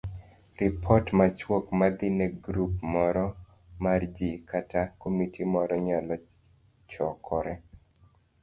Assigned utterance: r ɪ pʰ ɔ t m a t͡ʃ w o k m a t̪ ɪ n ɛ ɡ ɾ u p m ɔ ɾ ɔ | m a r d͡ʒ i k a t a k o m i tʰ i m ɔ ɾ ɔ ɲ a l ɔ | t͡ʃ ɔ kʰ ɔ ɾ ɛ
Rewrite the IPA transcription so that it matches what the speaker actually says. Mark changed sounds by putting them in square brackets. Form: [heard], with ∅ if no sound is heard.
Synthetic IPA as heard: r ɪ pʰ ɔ t m a t͡ʃ w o k m a [d̪] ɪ n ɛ ɡ ɾ u p m ɔ ɾ ɔ | m a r d͡ʒ i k a t a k o m i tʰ i m ɔ ɾ ɔ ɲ a l ɔ | t͡ʃ ɔ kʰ ɔ ɾ ɛ